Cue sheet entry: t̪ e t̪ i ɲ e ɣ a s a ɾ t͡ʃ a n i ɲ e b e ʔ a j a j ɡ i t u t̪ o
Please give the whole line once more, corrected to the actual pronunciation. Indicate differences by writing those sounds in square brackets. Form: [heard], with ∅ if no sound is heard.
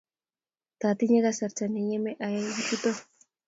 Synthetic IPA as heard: t̪ [a] t̪ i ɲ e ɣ a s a ɾ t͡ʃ a n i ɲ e [m] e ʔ a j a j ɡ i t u t̪ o